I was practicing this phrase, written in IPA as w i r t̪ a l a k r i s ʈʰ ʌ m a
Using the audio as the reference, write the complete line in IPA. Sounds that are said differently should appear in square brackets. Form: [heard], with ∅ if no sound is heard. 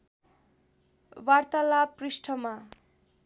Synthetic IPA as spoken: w [a] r t̪ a l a [p] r i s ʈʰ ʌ m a

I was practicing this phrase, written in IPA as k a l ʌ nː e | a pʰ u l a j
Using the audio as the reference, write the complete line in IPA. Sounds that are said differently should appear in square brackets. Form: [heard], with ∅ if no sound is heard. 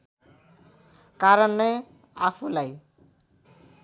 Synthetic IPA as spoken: k a [ɾ] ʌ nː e | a pʰ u l a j

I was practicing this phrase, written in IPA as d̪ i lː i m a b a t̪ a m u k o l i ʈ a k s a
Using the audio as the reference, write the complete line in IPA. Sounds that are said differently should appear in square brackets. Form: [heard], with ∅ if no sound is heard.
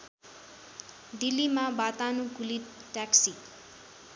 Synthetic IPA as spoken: d̪ i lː i m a b a t̪ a [n] u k [u] l i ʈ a k s [i]

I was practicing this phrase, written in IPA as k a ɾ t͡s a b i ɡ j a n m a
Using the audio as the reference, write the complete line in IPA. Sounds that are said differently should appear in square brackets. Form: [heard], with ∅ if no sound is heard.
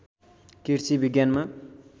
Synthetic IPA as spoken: k [i] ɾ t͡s [i] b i ɡ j a n m a

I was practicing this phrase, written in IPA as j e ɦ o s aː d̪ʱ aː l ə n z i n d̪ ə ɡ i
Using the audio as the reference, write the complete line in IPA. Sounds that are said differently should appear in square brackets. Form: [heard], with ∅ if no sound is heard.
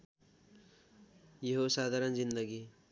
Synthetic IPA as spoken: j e ɦ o s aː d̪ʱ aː [ɾ] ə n z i n d̪ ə ɡ i

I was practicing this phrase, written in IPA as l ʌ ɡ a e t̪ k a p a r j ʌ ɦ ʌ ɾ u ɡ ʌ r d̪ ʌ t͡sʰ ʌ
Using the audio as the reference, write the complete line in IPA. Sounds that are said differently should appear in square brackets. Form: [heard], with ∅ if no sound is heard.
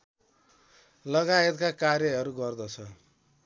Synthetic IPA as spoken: l ʌ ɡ a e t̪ k a [k] a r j ʌ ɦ ʌ ɾ u ɡ ʌ r d̪ ʌ t͡sʰ ʌ

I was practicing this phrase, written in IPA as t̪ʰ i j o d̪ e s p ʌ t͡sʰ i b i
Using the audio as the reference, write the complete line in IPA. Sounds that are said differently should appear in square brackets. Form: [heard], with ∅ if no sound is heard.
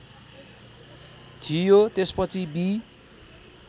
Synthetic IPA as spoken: t̪ʰ i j o [t̪] e s p ʌ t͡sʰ i b i

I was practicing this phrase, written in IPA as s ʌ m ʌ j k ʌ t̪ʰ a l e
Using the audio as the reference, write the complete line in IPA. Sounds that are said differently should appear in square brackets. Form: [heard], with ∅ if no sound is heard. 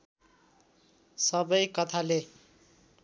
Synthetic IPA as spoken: s ʌ [b] ʌ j k ʌ t̪ʰ a l e

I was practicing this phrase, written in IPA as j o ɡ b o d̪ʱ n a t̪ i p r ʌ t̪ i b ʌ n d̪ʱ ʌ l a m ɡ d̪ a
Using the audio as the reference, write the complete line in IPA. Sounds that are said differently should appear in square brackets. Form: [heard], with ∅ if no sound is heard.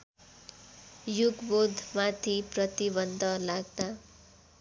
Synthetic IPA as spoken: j [u] ɡ b o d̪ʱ [m] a [t̪ʰ] i p r ʌ t̪ i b ʌ n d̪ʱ ʌ l a [∅] ɡ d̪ a

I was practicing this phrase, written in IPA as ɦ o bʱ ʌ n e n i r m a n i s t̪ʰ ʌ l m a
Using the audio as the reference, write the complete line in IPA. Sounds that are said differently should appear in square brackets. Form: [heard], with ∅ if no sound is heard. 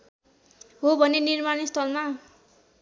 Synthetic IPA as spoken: ɦ o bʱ ʌ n e n i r m a n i s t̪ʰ ʌ l m a

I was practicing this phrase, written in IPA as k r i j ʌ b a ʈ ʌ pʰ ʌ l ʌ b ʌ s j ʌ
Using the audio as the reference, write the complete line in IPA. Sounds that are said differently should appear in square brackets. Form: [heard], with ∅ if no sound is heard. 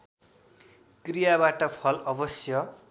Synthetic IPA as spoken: k r i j [a] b a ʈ ʌ pʰ ʌ l ʌ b ʌ s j ʌ

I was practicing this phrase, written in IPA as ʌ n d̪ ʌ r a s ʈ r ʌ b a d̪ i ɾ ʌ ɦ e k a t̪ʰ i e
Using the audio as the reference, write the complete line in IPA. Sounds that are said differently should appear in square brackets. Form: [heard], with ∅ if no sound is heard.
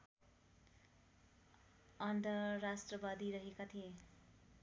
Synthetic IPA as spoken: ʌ n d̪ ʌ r a s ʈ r ʌ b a d̪ i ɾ ʌ ɦ e k a t̪ʰ i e

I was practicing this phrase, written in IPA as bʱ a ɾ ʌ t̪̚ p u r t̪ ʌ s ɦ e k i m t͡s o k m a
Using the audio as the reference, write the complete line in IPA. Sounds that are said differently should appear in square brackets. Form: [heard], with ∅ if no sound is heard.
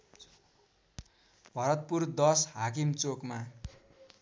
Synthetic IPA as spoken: bʱ [ʌ] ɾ ʌ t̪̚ p u r [d̪] ʌ s ɦ [a] k i m t͡s o k m a

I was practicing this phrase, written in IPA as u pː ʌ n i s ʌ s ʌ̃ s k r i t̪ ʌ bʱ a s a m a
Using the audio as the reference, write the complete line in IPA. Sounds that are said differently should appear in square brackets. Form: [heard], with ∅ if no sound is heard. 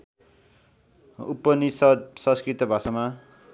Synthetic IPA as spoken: u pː ʌ n i s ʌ s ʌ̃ s k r i t̪ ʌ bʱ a s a m a

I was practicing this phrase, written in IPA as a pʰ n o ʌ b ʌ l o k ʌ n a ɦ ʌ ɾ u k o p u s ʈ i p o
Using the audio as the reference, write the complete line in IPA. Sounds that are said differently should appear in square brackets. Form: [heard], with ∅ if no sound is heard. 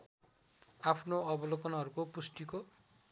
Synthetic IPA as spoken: a pʰ n o ʌ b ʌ l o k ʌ n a ɦ ʌ ɾ u k o p u s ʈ i [k] o

